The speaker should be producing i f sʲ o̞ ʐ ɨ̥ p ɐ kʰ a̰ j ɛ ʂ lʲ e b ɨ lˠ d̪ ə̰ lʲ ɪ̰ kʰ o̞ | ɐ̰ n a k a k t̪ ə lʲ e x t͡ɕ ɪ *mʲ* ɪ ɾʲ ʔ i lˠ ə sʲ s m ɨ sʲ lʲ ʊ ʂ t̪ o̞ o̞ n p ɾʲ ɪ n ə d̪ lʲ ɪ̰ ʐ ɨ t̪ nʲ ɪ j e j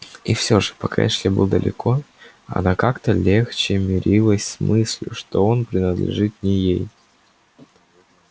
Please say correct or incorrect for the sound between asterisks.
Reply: correct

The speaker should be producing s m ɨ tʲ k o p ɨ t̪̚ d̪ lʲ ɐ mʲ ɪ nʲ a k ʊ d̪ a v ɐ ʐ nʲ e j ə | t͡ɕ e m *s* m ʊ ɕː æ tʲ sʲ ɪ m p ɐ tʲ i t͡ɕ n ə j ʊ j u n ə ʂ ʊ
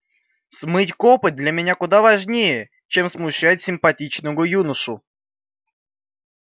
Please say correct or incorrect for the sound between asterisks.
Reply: correct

